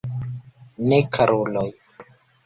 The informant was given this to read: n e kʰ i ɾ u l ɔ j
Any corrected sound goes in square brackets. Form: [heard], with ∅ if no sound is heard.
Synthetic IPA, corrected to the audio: n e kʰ [a] ɾ [o] l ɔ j